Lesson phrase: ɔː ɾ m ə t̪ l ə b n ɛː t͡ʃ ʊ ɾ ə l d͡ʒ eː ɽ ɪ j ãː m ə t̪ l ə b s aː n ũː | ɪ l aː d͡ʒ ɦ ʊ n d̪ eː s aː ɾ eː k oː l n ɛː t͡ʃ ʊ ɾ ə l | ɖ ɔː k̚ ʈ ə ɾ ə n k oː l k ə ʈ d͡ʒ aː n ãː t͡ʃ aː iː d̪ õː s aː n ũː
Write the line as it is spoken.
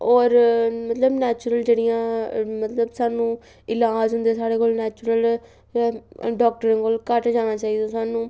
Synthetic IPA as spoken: ɔː ɾ m ə t̪ l ə b n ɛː t͡ʃ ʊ ɾ ə l d͡ʒ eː ɽ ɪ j ãː m ə t̪ l ə b s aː n ũː | ɪ l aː d͡ʒ ɦ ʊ n d̪ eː s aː ɽ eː k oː l n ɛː t͡ʃ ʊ ɾ ə l | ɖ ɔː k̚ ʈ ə ɾ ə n k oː l k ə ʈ d͡ʒ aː n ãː t͡ʃ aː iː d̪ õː s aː n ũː